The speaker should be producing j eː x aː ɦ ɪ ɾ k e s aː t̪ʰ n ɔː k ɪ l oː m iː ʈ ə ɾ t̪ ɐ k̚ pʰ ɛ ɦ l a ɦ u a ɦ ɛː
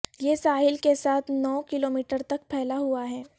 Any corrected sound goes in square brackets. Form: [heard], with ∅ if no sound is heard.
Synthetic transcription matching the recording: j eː [s] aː ɦ ɪ [l] k e s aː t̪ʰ n ɔː k ɪ l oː m iː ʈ ə ɾ t̪ ɐ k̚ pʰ ɛ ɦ l a ɦ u a ɦ ɛː